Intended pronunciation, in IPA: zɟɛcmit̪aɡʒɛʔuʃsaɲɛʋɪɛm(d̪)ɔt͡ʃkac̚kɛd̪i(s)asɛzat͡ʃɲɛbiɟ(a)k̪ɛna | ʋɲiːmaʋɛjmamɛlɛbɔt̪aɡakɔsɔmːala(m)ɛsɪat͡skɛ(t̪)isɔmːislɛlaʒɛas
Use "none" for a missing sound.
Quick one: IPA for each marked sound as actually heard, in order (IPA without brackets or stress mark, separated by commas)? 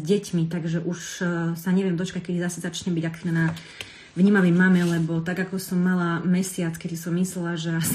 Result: d̪, z, a, m, d̪